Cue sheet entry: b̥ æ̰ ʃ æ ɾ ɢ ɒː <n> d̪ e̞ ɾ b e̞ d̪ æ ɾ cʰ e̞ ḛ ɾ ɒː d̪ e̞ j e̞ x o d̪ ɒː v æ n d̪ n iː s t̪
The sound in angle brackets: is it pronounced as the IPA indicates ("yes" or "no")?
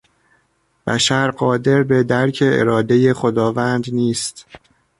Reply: no